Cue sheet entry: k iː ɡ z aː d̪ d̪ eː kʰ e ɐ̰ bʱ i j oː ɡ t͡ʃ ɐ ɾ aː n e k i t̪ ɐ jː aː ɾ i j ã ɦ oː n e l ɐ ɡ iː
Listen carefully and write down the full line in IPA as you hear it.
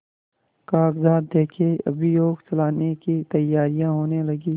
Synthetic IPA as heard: k aː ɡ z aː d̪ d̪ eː kʰ e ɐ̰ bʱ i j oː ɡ t͡ʃ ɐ l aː n e k i t̪ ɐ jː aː ɾ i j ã ɦ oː n e l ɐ ɡ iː